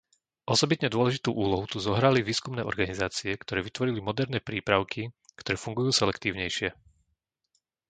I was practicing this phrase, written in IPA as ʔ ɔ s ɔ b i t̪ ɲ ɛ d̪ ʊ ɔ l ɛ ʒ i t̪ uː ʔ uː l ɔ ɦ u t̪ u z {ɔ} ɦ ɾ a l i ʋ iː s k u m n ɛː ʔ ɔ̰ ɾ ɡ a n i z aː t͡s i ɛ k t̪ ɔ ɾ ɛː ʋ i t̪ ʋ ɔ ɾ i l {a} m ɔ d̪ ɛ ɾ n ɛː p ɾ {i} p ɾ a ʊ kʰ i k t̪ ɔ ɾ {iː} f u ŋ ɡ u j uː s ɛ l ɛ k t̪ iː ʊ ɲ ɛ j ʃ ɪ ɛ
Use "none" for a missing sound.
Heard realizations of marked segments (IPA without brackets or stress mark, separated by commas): ɔ, i, iː, ɛː